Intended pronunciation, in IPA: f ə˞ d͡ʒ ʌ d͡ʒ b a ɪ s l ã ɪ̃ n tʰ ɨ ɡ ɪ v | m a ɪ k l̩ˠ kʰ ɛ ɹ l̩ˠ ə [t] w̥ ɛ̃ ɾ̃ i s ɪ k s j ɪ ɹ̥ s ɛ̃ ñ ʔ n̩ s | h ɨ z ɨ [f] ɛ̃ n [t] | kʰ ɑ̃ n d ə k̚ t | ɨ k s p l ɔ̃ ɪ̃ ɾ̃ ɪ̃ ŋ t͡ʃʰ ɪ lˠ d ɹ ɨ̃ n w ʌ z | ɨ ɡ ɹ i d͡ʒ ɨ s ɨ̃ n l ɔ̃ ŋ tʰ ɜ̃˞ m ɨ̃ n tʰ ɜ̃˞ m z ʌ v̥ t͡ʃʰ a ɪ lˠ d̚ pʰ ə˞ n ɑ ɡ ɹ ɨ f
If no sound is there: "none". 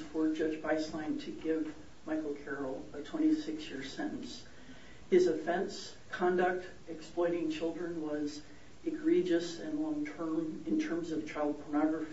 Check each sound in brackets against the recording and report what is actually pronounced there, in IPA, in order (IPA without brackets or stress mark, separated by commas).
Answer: tʰ, f, s